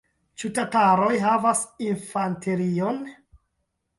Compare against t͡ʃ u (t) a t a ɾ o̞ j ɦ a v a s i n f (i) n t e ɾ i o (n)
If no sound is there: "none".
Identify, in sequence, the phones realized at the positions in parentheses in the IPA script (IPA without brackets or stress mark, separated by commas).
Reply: t, a, n